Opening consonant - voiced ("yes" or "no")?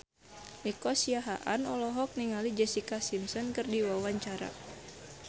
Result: no